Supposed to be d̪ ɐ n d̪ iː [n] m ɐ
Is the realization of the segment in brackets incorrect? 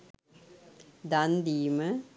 yes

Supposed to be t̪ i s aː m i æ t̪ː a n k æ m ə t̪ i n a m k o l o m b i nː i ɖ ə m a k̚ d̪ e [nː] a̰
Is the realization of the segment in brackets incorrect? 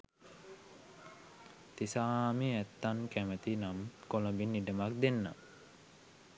no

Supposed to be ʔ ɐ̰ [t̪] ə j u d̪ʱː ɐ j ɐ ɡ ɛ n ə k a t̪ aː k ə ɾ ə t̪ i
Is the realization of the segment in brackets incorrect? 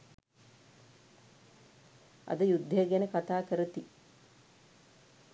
yes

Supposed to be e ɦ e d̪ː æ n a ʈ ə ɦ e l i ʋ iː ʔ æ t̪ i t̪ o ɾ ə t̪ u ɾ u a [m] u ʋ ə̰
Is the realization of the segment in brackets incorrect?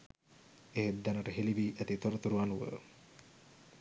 yes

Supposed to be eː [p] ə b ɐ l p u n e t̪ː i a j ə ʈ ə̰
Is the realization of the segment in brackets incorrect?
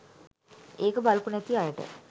yes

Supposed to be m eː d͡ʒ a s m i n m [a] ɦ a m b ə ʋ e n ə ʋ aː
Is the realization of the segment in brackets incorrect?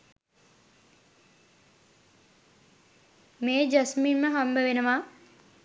yes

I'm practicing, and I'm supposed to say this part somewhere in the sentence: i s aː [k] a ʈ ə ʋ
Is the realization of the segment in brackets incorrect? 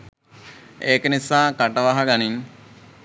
no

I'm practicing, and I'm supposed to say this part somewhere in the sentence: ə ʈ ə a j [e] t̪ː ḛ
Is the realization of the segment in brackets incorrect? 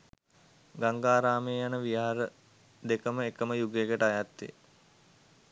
yes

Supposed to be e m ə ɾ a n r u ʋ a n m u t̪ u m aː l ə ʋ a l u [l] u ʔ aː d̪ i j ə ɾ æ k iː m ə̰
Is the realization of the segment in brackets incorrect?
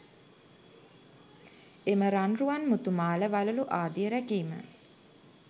no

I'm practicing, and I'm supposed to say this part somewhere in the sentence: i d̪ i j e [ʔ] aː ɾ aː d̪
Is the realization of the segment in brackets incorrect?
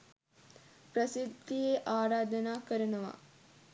no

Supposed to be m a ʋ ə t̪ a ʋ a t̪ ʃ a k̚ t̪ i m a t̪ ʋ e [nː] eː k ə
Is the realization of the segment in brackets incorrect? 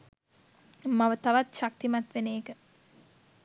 yes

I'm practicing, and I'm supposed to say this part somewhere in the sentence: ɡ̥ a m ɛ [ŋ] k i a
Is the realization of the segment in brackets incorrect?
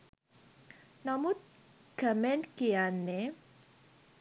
yes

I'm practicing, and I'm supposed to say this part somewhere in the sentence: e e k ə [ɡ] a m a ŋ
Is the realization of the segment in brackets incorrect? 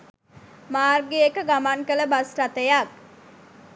no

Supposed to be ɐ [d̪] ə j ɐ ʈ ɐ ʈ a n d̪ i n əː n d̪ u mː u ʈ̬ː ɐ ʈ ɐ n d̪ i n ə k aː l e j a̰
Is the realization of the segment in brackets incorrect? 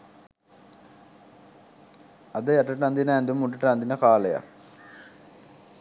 no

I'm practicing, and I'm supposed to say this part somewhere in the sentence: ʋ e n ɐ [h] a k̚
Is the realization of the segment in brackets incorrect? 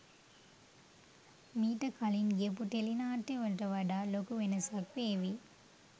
yes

